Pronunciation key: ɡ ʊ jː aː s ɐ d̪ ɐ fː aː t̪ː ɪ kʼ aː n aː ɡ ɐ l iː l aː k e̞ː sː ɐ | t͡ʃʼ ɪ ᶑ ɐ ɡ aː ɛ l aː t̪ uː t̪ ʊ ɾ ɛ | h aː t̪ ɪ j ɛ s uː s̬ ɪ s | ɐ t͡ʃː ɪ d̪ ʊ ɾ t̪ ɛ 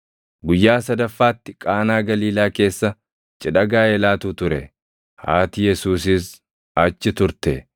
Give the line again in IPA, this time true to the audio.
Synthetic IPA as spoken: ɡ ʊ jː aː s ɐ d̪ ɐ fː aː t̪ː ɪ kʼ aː n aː ɡ ɐ l iː l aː k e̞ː sː ɐ | t͡ʃʼ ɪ ᶑ ɐ ɡ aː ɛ l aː t̪ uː t̪ ʊ ɾ ɛ | h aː t̪ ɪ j ɛ s uː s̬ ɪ s | ɐ t͡ʃː ɪ t̪ ʊ ɾ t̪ ɛ